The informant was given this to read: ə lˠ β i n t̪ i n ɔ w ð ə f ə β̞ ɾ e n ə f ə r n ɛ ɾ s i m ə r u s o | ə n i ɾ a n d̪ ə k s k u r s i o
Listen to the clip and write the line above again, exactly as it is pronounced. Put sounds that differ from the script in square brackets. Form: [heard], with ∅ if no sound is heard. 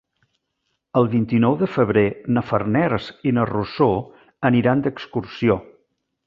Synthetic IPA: ə lˠ β i n t̪ i n ɔ w ð ə f ə β̞ ɾ e n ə f ə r n ɛ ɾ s i [n] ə r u s o | ə n i ɾ a n d̪ ə k s k u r s i o